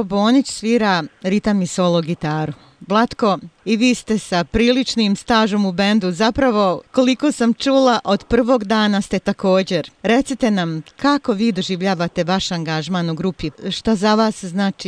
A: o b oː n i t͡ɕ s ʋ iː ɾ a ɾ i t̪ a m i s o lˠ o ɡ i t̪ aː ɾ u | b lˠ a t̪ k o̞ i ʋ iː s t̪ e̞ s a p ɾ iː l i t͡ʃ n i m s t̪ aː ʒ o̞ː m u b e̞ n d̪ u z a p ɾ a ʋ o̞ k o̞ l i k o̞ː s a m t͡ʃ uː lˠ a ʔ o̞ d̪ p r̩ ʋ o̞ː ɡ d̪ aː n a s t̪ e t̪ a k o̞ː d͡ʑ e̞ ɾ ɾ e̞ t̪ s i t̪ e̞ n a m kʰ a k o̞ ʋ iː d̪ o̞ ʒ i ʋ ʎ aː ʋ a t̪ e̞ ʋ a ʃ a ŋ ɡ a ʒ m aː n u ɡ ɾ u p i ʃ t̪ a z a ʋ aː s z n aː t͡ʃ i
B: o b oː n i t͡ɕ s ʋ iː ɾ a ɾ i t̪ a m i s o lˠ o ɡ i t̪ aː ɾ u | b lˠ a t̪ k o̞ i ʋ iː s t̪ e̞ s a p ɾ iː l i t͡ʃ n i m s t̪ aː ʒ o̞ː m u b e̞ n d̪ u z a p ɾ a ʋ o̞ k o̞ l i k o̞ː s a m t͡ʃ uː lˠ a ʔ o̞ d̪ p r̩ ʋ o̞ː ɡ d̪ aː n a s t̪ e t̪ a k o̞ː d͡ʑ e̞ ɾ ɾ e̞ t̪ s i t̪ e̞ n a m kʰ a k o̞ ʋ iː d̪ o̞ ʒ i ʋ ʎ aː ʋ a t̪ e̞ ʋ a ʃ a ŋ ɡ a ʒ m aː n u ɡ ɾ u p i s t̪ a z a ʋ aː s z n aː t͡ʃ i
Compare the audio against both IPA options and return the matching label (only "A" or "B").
A